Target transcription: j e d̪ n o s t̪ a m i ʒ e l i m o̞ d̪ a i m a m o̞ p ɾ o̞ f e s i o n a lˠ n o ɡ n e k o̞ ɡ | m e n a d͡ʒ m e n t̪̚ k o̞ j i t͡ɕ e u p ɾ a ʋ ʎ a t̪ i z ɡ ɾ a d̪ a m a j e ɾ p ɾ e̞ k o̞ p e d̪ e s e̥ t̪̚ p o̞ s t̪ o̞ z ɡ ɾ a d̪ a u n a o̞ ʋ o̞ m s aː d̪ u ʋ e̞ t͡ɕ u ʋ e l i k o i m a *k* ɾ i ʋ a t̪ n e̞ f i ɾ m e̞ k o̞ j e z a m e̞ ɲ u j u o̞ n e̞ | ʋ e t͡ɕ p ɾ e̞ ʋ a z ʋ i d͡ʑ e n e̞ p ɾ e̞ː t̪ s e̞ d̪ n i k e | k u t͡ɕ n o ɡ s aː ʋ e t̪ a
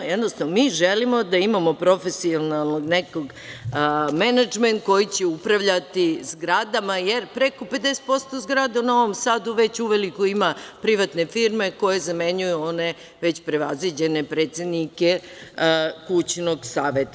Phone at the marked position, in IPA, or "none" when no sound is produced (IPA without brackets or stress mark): p